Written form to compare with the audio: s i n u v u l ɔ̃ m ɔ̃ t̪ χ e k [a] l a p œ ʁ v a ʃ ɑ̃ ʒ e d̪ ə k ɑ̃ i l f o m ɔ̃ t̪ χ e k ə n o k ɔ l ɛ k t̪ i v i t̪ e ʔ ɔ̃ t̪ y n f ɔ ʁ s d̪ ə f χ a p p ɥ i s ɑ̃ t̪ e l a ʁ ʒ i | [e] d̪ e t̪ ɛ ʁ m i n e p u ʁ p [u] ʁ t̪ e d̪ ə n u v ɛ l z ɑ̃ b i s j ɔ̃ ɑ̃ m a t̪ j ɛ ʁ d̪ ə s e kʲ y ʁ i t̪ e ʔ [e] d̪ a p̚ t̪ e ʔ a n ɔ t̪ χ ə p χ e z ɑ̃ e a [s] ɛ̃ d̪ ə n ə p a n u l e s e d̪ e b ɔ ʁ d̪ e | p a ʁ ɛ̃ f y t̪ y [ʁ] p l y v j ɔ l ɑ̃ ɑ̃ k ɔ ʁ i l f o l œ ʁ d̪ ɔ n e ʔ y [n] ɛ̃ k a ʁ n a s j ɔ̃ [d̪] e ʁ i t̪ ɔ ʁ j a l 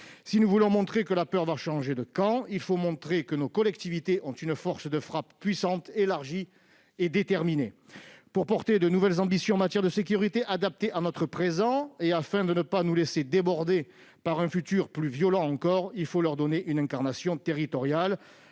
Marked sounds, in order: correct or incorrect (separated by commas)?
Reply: incorrect, correct, incorrect, incorrect, incorrect, correct, correct, incorrect